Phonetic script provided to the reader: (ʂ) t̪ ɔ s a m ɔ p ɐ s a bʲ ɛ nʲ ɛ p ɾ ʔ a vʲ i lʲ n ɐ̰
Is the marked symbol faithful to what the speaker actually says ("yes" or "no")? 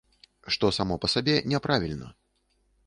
yes